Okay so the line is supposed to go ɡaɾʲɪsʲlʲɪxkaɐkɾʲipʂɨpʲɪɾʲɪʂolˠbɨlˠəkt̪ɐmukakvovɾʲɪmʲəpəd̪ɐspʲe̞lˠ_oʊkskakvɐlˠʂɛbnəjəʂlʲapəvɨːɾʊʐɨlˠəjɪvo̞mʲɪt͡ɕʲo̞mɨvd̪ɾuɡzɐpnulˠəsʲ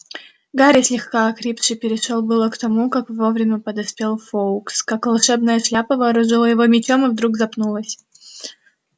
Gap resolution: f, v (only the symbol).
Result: f